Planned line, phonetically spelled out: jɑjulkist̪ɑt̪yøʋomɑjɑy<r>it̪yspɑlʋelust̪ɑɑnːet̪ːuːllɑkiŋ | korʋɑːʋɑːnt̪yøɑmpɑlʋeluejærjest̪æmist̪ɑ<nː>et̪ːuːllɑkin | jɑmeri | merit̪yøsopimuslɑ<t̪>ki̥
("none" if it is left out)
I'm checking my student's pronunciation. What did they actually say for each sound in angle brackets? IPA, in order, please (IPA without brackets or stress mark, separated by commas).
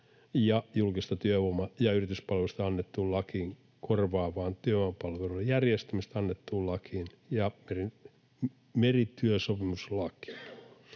r, nː, none